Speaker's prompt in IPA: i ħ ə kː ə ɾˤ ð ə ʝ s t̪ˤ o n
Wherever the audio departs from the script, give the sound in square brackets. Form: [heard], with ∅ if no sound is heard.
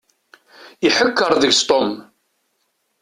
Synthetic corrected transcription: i ħ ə kː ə ɾˤ ð ə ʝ s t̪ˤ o [m]